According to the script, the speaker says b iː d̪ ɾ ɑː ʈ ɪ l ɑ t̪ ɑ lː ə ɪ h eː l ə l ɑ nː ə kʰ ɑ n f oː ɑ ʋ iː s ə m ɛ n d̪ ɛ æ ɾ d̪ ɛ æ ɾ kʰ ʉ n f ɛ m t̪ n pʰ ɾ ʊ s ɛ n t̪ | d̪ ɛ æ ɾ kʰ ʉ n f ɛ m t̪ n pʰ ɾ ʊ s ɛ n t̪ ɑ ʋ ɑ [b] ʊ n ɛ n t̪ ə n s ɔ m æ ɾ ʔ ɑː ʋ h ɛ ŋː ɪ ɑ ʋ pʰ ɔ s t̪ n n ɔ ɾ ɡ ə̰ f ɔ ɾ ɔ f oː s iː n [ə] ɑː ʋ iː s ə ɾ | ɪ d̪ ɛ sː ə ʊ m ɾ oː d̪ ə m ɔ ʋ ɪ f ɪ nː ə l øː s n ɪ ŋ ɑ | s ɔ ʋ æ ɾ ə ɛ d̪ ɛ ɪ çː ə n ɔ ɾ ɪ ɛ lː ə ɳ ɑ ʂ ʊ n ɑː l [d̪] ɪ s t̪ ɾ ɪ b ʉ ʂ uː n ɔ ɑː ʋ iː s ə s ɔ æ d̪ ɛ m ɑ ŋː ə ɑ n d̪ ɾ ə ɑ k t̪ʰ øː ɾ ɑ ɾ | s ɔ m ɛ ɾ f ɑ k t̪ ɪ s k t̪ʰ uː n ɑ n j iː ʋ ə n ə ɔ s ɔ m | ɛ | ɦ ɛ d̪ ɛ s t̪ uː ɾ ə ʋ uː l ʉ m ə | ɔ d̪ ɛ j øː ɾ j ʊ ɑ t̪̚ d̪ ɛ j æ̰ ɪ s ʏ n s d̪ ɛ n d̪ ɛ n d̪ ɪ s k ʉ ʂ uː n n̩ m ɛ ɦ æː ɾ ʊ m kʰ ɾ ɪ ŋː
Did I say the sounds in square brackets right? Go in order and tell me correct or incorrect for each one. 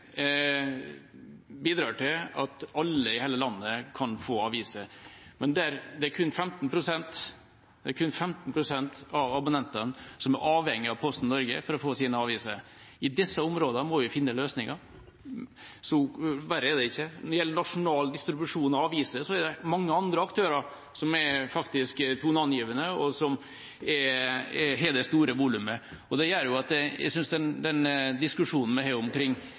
correct, correct, correct

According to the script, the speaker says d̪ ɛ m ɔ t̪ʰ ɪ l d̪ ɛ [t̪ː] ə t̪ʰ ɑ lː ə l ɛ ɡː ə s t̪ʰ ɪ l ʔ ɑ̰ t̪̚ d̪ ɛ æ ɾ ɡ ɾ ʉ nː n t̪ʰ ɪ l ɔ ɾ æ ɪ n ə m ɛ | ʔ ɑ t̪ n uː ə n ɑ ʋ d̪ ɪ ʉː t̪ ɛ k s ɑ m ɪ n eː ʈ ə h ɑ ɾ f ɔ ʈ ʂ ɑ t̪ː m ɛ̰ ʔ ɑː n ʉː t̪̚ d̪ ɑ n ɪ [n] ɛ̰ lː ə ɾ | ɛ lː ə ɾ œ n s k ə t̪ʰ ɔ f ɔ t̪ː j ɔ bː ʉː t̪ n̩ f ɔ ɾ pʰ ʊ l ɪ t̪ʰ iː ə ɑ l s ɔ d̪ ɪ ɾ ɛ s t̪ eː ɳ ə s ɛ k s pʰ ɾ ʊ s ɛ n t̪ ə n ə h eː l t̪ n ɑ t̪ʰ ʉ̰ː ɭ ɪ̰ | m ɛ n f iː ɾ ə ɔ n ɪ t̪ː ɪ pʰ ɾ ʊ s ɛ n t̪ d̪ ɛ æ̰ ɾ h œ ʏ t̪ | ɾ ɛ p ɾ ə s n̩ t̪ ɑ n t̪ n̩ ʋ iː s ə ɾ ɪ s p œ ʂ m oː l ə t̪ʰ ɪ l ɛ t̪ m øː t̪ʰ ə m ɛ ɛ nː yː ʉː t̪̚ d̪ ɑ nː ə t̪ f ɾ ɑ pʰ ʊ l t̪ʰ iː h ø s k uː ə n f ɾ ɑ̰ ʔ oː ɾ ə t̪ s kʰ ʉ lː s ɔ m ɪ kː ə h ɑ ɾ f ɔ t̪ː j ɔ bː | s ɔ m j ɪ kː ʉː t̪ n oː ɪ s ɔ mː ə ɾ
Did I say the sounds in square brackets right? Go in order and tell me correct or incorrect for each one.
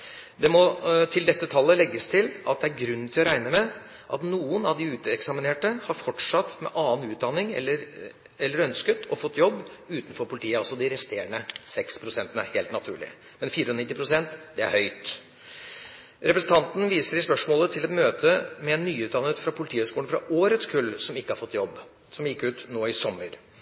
correct, incorrect: ŋ

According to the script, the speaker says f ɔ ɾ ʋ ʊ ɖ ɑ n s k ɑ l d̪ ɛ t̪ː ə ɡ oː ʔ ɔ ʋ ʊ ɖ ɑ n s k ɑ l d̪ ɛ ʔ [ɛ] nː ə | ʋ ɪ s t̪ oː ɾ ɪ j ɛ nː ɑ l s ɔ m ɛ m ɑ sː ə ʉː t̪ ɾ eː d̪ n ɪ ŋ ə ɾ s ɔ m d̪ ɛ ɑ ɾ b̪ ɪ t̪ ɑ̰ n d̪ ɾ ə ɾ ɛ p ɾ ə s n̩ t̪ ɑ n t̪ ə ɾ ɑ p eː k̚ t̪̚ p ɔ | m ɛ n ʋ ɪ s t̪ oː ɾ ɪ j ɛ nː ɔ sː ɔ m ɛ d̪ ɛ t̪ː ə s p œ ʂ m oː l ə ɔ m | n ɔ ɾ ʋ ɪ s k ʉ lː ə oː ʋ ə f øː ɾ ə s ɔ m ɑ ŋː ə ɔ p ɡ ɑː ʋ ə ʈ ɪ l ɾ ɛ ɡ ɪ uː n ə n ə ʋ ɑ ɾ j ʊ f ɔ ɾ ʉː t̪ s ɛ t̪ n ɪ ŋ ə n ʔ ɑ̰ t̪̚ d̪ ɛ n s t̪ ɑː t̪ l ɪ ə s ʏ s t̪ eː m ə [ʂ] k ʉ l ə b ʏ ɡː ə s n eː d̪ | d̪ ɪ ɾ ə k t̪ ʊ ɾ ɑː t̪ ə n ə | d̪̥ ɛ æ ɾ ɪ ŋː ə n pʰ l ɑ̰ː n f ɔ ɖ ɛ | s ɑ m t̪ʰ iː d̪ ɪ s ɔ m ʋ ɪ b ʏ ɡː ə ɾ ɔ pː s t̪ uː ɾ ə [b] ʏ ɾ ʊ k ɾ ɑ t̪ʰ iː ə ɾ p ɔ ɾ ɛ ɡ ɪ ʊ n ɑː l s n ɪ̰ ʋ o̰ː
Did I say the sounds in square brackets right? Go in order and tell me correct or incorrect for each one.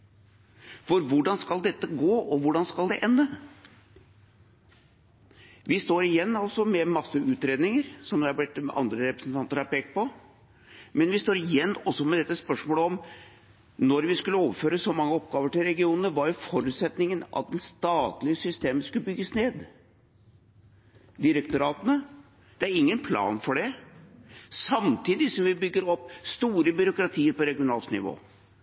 correct, incorrect: s, correct

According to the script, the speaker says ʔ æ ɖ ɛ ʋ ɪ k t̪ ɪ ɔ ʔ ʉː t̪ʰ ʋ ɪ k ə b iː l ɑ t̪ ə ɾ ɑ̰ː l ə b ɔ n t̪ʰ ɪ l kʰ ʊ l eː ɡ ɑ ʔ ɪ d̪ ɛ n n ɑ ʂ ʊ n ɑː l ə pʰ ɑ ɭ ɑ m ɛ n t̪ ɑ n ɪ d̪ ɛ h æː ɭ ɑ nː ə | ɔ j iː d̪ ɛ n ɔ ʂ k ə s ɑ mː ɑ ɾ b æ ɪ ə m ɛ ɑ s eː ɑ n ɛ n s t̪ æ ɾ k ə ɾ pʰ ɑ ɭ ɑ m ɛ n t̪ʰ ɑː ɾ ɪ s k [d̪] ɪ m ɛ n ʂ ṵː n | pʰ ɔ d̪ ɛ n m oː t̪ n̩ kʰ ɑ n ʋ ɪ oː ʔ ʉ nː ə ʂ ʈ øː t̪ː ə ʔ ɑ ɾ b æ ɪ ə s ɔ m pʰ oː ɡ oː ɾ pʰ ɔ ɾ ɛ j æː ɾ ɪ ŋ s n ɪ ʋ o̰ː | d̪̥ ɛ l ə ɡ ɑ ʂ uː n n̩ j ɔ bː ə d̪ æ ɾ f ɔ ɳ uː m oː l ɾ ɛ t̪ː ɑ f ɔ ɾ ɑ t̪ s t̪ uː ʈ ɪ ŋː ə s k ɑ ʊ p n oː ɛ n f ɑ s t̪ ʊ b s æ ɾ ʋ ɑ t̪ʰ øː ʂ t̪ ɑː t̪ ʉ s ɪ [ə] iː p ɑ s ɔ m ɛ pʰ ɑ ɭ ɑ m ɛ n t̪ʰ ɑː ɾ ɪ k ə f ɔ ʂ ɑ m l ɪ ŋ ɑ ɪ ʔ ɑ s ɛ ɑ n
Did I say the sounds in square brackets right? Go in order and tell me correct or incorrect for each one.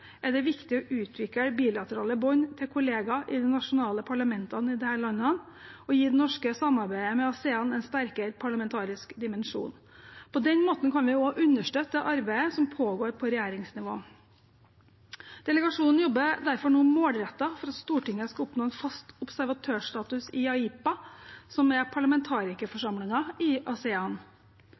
correct, incorrect: ɑ

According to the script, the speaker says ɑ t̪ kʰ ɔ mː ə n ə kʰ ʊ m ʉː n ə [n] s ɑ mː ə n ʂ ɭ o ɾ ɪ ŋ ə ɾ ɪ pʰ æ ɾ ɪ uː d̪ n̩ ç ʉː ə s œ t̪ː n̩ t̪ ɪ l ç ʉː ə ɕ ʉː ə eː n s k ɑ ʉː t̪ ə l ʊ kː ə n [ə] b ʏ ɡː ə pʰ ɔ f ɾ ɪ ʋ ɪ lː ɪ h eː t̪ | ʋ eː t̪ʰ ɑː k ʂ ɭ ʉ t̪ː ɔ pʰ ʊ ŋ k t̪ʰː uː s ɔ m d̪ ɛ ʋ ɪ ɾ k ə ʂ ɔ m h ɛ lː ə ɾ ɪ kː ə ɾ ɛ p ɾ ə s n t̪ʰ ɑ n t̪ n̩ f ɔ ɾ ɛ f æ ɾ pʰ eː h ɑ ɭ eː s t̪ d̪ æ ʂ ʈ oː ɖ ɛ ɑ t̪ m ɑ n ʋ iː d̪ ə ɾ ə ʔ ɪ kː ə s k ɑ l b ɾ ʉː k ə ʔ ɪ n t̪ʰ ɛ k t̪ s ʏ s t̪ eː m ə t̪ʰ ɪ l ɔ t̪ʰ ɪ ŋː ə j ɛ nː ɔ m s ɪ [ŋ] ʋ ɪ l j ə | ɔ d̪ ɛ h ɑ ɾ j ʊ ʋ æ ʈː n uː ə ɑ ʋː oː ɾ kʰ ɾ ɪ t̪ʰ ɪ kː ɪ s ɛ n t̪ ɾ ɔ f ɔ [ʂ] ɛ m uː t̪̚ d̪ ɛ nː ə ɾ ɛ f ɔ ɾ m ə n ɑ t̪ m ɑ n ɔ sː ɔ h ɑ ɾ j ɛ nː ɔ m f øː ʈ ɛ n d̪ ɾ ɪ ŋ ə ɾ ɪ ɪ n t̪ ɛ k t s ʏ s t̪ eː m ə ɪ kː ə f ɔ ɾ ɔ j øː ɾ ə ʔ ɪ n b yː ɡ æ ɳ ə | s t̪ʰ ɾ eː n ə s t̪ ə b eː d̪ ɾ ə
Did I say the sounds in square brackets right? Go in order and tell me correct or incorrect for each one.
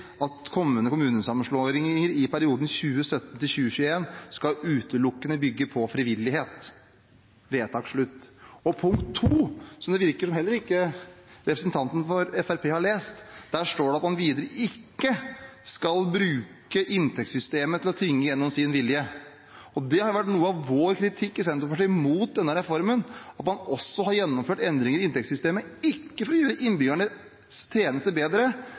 correct, correct, incorrect: n, correct

